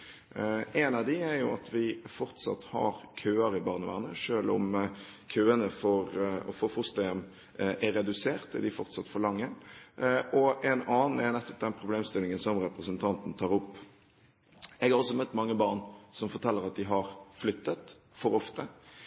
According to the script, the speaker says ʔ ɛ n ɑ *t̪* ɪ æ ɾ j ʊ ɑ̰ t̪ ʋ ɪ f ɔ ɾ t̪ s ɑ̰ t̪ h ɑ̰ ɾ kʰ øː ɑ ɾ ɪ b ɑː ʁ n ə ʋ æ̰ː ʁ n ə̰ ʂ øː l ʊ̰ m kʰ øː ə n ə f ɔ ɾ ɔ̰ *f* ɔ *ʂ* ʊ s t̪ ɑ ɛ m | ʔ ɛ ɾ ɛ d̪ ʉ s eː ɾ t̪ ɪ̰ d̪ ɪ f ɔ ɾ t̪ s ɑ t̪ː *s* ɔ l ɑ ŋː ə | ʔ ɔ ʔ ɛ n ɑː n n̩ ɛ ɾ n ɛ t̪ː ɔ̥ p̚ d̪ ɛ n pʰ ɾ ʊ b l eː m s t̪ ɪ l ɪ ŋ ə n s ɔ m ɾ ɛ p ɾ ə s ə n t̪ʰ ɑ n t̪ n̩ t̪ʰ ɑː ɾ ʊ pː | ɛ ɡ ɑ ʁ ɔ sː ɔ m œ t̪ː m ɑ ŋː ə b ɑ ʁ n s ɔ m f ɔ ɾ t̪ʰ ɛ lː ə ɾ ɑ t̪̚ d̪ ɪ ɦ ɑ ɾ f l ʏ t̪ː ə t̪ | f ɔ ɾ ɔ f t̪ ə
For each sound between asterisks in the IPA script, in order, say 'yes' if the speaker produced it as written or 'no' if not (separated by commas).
no, yes, no, no